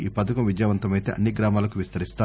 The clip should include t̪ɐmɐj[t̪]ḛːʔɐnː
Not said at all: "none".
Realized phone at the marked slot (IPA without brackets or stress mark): t̪